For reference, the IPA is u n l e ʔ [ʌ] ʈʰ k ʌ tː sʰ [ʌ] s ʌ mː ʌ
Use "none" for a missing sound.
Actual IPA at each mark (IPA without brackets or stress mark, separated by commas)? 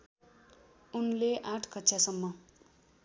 a, a